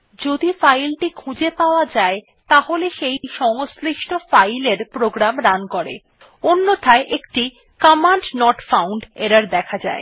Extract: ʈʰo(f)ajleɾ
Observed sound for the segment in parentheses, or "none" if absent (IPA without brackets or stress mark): f